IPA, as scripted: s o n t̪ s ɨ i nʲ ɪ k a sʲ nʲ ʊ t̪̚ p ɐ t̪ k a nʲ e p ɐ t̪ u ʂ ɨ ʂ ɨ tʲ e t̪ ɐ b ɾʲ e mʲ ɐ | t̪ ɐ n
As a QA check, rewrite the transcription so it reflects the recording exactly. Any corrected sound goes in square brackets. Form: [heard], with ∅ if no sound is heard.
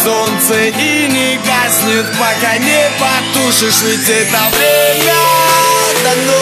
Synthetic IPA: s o n t̪ s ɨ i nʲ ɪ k a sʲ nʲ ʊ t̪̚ p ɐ [∅] k a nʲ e p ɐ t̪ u ʂ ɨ ʂ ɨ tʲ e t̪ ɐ [v] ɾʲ e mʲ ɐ | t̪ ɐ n